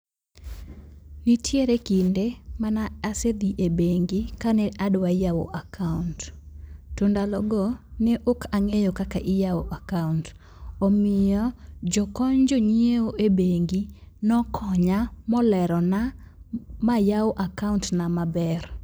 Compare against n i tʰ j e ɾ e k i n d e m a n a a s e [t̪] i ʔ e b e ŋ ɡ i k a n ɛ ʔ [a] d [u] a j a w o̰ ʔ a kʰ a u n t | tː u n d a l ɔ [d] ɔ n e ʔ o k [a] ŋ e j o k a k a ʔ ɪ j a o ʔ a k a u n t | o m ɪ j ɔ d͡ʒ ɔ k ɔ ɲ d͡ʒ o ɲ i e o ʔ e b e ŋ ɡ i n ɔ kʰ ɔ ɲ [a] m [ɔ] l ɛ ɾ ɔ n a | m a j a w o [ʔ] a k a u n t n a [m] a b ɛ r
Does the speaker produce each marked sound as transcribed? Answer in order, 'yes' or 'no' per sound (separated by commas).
no, yes, no, no, yes, yes, yes, yes, yes